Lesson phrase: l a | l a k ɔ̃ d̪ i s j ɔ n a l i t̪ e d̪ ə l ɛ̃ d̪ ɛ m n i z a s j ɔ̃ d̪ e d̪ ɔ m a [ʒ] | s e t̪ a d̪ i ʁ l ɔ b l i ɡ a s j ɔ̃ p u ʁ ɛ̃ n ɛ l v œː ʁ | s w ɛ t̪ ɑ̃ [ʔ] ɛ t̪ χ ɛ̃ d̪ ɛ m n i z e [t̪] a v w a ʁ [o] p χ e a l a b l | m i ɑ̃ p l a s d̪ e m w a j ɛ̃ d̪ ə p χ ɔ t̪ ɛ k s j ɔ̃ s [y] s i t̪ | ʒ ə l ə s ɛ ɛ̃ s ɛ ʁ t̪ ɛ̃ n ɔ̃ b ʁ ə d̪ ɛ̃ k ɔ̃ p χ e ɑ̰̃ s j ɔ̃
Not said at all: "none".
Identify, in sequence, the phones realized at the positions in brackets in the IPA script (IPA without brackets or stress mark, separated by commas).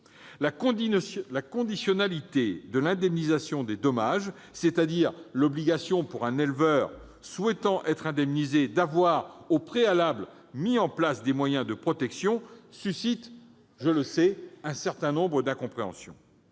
ʒ, ʔ, d̪, o, y